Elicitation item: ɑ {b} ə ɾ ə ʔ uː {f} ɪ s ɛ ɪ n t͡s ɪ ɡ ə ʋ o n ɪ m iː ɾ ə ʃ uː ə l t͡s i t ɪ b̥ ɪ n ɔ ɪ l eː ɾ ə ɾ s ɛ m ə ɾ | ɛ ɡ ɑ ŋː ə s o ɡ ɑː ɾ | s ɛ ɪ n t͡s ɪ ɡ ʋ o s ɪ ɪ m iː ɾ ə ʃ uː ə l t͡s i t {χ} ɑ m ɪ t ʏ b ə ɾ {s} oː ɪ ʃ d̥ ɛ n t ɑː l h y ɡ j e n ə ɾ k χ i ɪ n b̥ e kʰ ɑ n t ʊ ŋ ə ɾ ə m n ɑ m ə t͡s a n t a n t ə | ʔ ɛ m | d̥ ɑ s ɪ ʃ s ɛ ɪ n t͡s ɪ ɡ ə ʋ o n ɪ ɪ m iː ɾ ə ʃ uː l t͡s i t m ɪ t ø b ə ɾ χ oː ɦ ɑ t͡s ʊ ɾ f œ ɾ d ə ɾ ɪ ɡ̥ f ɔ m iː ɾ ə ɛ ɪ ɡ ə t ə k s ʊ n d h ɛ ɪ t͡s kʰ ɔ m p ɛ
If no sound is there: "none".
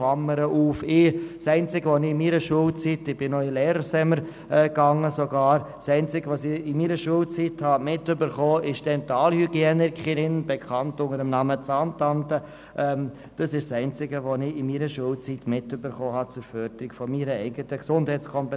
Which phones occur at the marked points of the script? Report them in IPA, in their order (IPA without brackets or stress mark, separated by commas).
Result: m, f, h, χ